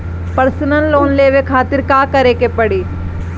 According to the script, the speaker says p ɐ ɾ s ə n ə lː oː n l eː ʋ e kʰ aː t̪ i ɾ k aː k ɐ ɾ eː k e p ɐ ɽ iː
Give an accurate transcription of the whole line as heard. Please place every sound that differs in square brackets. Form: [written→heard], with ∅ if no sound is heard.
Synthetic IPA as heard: p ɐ ɾ s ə n ə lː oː n l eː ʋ e kʰ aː t̪ [i→ɪ] ɾ k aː k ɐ ɾ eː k e p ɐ ɽ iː